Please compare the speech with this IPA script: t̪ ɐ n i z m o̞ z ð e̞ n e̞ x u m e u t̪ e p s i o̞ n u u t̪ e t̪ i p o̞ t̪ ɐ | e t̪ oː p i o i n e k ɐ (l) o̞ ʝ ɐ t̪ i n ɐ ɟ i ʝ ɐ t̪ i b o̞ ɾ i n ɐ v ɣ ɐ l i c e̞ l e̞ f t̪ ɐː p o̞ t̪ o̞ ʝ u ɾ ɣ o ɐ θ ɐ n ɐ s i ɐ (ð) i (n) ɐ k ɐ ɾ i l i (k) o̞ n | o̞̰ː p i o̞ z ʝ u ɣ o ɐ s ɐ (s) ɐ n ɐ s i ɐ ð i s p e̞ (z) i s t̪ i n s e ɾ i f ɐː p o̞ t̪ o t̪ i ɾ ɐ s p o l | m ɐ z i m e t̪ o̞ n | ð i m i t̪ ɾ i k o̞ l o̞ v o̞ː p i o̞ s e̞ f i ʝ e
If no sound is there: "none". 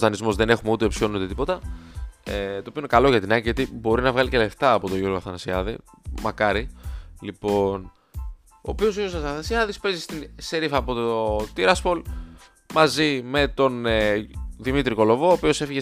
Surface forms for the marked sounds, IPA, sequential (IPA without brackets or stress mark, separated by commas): l, ð, m, p, θ, z